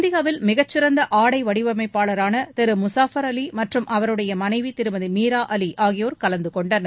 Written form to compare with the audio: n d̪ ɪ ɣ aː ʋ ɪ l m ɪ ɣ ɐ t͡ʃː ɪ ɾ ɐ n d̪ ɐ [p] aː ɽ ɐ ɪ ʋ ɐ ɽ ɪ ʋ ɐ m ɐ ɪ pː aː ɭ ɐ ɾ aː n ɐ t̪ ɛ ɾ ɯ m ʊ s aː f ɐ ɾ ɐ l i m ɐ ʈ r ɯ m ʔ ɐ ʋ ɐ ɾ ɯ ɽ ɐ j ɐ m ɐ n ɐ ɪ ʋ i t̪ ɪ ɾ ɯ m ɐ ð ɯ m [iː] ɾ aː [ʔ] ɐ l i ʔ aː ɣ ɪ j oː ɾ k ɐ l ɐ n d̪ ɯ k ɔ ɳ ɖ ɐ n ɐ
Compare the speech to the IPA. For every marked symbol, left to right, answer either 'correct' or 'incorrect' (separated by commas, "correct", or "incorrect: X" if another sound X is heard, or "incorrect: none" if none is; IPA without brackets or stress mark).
incorrect: ʔ, correct, correct